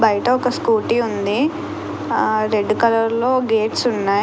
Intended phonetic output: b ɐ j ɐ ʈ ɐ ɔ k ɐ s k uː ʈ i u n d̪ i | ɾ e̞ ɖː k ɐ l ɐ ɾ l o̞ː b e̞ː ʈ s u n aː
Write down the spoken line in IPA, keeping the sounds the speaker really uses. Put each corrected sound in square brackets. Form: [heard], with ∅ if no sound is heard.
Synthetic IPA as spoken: b ɐ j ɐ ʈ ɐ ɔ k ɐ s k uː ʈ i u n d̪ i | ɾ e̞ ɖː k ɐ l ɐ ɾ l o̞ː [ɡ] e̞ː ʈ s u [nː] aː